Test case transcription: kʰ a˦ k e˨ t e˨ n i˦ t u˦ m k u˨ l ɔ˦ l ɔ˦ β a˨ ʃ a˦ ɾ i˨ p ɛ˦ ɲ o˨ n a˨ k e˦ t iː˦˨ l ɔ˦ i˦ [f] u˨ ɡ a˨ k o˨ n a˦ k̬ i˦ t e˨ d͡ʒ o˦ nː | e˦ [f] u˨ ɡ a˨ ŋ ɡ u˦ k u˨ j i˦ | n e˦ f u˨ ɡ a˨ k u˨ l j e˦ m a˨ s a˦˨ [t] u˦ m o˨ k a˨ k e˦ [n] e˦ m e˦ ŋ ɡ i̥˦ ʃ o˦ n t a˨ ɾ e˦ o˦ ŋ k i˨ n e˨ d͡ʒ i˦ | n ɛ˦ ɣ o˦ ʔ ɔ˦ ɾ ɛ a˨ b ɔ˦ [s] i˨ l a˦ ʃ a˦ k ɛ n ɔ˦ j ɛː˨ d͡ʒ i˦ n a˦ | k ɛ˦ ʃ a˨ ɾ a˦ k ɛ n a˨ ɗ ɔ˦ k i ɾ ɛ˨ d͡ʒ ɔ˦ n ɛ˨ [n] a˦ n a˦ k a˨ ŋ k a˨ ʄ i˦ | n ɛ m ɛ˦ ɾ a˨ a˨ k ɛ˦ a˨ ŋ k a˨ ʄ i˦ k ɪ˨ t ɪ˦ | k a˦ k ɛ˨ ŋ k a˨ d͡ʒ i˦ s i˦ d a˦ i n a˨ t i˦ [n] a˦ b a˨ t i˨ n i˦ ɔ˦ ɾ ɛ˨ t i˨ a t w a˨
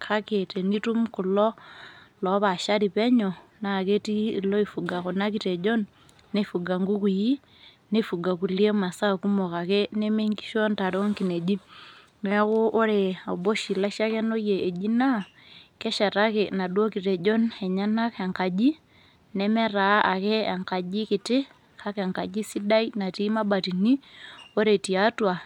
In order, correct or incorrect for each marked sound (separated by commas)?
correct, correct, incorrect, correct, incorrect, incorrect, incorrect